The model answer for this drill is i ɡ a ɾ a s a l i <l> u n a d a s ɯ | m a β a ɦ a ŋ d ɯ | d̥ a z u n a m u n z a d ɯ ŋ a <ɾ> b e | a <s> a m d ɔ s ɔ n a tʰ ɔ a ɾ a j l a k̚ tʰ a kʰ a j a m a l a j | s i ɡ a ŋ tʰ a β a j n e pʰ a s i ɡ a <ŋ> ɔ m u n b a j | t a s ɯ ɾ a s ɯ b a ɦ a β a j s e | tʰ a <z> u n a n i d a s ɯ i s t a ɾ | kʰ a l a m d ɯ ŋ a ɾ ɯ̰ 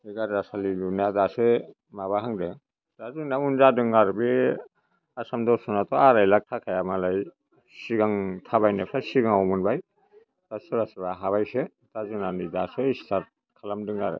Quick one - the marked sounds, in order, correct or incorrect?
correct, correct, correct, correct, correct

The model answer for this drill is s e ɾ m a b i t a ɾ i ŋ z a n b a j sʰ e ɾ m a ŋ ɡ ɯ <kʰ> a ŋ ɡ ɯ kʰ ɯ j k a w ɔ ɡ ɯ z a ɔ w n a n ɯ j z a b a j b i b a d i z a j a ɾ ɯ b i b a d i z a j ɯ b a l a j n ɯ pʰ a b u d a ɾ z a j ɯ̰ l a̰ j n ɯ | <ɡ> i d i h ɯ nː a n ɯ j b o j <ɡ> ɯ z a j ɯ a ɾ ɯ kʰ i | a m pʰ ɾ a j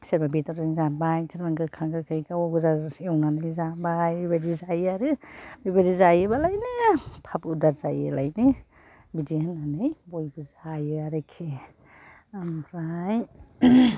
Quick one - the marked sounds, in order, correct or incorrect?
correct, incorrect: b, incorrect: b

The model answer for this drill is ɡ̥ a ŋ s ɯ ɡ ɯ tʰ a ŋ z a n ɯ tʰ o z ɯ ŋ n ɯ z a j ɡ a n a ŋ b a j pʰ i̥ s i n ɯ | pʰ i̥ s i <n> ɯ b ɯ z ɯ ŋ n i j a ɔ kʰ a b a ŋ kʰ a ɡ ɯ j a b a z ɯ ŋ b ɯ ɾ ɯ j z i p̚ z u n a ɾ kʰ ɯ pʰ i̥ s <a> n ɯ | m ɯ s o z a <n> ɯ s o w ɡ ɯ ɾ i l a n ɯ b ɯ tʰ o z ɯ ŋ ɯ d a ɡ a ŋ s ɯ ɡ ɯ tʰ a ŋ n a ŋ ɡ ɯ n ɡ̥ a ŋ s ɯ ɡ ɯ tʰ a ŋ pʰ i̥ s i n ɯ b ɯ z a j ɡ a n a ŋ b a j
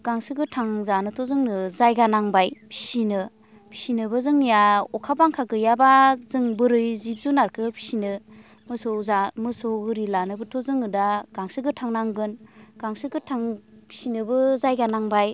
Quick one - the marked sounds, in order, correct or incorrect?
correct, incorrect: i, incorrect: m

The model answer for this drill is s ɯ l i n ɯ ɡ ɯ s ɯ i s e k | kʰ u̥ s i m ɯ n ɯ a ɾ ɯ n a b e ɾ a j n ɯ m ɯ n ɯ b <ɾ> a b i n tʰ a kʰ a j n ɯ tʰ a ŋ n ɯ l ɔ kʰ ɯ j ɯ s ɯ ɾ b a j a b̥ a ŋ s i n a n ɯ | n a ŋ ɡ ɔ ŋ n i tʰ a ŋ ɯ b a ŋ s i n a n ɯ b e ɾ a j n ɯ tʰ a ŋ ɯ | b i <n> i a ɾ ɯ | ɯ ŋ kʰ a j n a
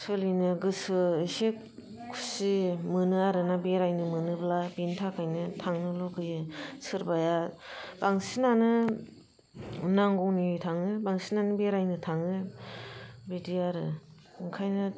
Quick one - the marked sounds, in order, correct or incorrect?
incorrect: l, incorrect: d

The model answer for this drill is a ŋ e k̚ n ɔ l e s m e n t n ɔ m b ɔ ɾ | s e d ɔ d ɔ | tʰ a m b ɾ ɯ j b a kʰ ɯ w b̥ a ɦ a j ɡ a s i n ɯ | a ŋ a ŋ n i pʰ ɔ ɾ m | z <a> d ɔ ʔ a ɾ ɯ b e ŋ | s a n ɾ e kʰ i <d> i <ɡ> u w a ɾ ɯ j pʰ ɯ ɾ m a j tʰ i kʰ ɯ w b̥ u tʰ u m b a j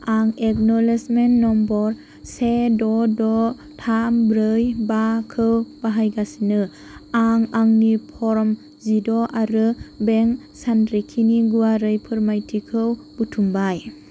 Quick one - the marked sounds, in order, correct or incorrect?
incorrect: i, incorrect: n, correct

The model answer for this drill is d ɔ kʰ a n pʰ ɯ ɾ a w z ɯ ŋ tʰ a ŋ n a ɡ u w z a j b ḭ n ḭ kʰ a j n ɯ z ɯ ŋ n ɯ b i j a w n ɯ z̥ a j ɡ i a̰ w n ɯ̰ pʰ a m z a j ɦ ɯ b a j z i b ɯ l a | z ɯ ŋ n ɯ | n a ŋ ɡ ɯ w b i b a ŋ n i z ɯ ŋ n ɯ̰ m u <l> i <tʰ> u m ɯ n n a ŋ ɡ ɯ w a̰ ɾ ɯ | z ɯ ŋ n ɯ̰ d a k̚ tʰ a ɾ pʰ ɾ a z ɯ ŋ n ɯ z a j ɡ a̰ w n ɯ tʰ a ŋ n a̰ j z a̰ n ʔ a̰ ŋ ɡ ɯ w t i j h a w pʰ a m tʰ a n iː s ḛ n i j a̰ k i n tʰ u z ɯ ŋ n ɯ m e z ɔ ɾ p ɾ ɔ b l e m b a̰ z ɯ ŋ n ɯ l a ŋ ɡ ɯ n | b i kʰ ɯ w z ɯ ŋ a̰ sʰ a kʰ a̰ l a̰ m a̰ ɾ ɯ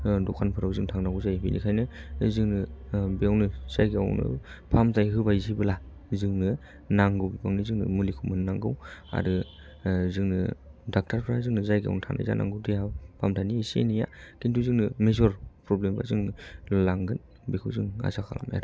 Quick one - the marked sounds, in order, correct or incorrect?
correct, incorrect: kʰ

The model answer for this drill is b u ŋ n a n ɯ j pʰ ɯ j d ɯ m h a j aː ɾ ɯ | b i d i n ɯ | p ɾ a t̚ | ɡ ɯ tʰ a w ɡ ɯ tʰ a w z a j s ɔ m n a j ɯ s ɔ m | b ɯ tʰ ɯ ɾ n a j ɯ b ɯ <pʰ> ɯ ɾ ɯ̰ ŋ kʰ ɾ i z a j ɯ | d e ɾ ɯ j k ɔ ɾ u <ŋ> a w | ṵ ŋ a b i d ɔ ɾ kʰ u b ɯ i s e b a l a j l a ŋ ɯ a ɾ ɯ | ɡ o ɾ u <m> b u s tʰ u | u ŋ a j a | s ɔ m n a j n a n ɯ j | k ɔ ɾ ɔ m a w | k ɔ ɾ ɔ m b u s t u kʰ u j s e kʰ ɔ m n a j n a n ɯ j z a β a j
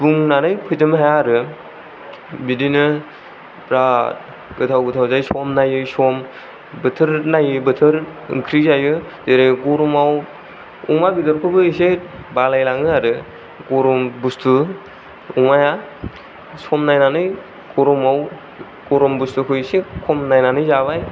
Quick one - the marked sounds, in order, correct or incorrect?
incorrect: tʰ, incorrect: m, correct

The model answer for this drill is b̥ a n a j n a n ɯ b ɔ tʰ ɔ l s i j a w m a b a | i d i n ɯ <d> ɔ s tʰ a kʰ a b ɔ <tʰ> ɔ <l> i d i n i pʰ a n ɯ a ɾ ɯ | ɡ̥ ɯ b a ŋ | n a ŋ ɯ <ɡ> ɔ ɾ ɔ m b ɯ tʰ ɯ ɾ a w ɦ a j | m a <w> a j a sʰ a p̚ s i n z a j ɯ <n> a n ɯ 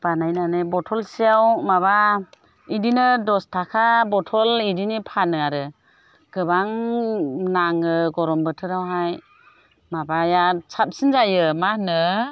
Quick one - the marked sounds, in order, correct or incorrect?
correct, correct, correct, correct, incorrect: b, incorrect: m

